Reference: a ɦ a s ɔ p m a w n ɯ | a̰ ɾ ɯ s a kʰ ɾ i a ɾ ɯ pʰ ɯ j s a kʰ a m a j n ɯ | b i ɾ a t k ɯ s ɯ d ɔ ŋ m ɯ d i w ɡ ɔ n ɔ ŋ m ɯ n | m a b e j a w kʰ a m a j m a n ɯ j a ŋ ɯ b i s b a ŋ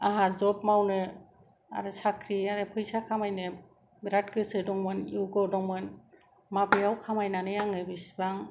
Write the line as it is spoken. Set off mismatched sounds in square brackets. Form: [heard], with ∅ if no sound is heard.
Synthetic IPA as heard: a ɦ a [z] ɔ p m a w n ɯ | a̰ ɾ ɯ s a kʰ ɾ i a ɾ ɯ pʰ ɯ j s a kʰ a m a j n ɯ | b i ɾ a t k ɯ s ɯ d ɔ ŋ m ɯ [n] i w ɡ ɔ [d] ɔ ŋ m ɯ n | m a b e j a w kʰ a m a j [n] a n ɯ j a ŋ ɯ b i s b a ŋ